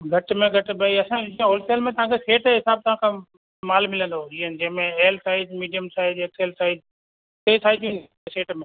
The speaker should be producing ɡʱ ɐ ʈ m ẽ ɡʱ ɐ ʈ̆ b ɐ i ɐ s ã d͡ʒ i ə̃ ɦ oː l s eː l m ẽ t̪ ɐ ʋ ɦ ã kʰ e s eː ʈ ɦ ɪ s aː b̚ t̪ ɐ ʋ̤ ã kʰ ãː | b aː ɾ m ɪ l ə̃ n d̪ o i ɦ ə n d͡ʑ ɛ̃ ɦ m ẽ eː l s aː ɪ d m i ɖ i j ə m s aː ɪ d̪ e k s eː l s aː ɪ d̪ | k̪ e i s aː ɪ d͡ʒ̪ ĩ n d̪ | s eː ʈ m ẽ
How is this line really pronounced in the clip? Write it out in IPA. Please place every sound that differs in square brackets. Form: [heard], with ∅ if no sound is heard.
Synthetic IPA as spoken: ɡʱ ɐ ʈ m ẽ ɡʱ ɐ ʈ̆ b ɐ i ɐ s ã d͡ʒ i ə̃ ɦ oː l s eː l m ẽ t̪ ɐ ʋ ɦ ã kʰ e s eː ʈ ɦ ɪ s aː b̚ t̪ ɐ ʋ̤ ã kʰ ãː | [m] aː [l] m ɪ l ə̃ n d̪ o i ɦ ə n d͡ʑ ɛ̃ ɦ m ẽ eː l s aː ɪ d m [iː] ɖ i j ə m s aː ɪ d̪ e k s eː l s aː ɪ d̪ | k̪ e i s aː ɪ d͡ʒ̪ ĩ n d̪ | s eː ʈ m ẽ